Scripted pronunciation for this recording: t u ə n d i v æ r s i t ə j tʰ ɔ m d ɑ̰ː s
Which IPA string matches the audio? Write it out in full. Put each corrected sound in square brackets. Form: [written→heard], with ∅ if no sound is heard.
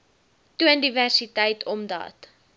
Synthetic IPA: t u ə n d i v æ r s i t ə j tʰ ɔ m d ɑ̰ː [s→t]

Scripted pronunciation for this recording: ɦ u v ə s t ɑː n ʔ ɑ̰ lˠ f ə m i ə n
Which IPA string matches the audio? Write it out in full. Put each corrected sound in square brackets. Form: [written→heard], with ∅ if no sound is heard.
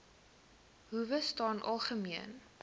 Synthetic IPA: ɦ u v ə s t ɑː n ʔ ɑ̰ lˠ [f→χ] ə m i ə n

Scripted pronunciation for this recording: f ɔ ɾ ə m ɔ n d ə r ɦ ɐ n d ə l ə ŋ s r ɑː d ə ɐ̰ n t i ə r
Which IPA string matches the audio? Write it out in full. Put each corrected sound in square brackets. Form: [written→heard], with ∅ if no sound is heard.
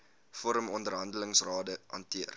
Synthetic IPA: f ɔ ɾ ə m ɔ n d ə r ɦ ɐ n d ə l ə ŋ s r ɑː d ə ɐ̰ n t i ə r

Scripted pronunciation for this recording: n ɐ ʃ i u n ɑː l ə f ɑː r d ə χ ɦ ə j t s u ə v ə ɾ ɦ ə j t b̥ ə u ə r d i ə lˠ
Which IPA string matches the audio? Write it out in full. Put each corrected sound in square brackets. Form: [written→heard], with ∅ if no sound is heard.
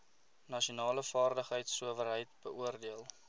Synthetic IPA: n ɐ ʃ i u n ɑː l ə f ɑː r d ə χ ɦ ə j t s u ə v ə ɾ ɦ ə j t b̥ ə u ə r d i ə lˠ

